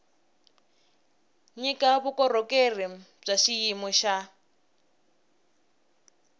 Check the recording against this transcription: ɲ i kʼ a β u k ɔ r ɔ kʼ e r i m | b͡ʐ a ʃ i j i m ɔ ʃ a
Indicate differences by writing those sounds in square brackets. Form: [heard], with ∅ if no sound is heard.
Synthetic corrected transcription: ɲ i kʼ a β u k ɔ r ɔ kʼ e r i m | b͡ʐ a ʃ i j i m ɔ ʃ a